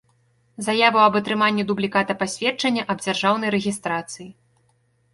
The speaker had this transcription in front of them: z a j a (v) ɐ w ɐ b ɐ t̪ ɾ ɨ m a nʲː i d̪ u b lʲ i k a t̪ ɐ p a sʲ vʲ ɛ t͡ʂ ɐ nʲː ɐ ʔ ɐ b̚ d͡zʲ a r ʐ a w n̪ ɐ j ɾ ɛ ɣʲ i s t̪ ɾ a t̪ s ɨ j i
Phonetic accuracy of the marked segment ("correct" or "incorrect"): correct